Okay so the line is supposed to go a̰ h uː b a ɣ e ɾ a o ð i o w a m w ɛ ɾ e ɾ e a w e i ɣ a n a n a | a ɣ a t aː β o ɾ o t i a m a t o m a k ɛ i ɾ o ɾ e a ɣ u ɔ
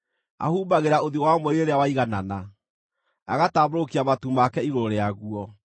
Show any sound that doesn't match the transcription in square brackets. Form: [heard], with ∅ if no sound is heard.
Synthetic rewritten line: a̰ h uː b a ɣ e ɾ a o ð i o w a m w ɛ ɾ e ɾ e a w [a] i ɣ a n a n a | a ɣ a t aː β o ɾ o [k] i a m a t [u] m a k ɛ i ɾ o ɾ e a ɣ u ɔ